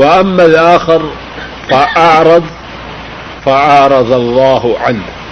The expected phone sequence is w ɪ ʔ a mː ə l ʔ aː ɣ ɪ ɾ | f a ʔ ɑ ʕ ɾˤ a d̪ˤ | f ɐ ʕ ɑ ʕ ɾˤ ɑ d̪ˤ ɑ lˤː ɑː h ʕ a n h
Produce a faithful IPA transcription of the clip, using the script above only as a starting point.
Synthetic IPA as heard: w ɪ ʔ a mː a l ʔ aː x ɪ ɾ | f a ʔ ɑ ʕ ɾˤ ɑ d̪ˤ | f a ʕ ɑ ʕ ɾˤ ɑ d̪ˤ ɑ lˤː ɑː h ʕ a n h